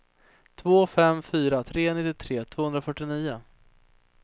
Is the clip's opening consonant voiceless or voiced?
voiceless